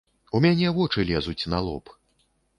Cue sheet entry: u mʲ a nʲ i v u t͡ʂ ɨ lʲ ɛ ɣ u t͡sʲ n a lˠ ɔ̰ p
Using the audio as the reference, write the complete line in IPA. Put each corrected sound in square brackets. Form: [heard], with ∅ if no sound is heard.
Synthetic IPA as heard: u mʲ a nʲ [ɛ] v [ɔ] t͡ʂ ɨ lʲ ɛ [z] u t͡sʲ n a lˠ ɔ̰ p